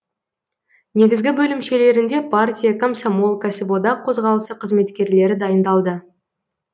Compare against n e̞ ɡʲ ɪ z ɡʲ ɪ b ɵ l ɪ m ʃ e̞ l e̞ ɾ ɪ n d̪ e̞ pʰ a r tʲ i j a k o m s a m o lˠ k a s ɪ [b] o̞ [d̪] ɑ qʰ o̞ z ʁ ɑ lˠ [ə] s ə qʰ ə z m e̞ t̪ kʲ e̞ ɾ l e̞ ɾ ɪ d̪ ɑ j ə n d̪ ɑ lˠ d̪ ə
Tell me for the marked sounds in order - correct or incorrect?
correct, correct, correct

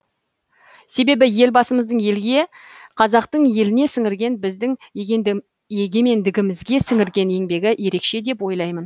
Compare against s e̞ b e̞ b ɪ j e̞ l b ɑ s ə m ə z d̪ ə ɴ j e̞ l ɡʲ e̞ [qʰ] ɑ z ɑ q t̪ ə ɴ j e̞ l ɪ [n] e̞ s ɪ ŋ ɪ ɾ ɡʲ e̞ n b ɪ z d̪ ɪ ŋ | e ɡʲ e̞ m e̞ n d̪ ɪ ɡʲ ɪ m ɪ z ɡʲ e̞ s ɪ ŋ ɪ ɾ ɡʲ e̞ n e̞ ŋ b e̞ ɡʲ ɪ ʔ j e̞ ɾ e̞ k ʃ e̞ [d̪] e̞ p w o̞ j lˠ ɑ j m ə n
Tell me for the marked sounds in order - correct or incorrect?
correct, correct, correct

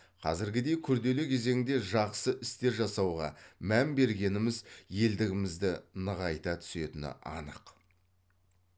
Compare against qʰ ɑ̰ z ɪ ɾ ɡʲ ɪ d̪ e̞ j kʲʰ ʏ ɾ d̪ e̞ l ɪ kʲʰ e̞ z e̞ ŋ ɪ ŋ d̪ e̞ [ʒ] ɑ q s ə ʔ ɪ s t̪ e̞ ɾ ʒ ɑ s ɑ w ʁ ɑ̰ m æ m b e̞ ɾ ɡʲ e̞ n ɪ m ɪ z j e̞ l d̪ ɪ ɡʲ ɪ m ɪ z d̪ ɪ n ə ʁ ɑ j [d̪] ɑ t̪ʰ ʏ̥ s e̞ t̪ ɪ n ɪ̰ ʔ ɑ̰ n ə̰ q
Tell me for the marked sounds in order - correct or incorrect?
correct, incorrect

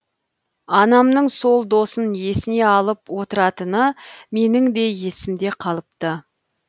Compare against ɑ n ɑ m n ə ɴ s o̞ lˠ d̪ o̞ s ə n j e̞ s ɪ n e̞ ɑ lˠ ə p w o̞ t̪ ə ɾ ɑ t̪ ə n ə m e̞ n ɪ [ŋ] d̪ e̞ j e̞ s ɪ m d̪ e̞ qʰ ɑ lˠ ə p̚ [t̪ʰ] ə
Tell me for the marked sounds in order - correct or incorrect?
correct, incorrect

